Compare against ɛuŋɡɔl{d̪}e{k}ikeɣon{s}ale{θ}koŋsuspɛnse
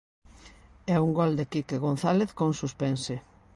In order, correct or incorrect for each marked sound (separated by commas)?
correct, correct, incorrect, correct